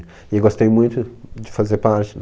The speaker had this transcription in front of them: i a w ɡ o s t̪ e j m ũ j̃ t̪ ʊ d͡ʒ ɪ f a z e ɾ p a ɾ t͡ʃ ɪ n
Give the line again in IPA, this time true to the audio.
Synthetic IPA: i e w ɡ o s t̪ e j m ũ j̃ t̪ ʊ d͡ʒ ɪ f a z e ɾ p a ɾ t͡ʃ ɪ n